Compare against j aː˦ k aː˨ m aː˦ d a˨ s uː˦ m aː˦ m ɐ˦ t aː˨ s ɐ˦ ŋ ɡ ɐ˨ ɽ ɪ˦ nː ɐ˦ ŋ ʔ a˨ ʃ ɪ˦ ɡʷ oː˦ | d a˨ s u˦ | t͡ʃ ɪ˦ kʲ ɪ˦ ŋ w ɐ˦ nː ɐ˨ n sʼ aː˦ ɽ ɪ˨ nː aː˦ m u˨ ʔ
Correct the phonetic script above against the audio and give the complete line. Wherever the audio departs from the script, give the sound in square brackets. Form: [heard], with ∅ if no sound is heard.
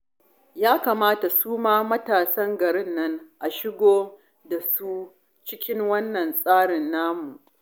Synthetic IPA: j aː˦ k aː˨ m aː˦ [t] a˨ s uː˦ m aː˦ m ɐ˦ t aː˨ s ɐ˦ ŋ ɡ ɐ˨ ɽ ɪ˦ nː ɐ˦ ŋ ʔ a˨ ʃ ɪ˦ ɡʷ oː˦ | d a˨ s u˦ | t͡ʃ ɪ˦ kʲ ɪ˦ ŋ w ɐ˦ nː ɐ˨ n sʼ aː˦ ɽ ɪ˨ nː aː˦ m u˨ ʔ